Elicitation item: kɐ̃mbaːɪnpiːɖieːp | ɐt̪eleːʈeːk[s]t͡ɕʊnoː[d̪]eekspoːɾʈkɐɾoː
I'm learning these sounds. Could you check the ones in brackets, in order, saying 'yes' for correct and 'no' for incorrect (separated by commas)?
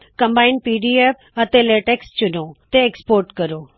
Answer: yes, no